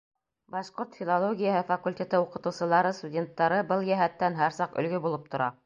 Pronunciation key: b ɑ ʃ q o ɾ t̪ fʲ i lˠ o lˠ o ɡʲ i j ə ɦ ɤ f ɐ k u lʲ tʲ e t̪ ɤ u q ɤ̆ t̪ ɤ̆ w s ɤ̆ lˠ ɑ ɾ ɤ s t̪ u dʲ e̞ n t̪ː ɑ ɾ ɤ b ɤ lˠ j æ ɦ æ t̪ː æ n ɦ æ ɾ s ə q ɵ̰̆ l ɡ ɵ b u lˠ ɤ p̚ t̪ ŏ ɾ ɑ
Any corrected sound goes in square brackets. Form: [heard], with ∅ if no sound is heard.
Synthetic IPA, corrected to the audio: b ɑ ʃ q o ɾ t̪ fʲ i lˠ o lˠ o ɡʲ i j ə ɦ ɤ f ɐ k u lʲ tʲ e t̪ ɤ u q ɤ̆ t̪ ɤ̆ w s ɤ̆ lˠ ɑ ɾ ɤ s t̪ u dʲ e̞ n t̪ː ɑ ɾ ɤ b ɤ lˠ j æ ɦ æ t̪ː æ n ɦ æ ɾ s [ɑ] q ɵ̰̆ l ɡ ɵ b u lˠ ɤ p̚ t̪ ŏ ɾ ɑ